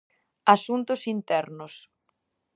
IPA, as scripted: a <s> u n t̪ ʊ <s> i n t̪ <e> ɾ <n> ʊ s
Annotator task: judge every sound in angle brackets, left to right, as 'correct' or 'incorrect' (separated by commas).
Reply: correct, correct, incorrect, correct